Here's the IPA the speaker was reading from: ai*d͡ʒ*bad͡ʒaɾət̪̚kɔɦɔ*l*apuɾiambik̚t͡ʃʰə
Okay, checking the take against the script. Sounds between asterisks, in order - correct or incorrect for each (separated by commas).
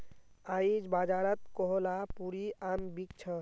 correct, correct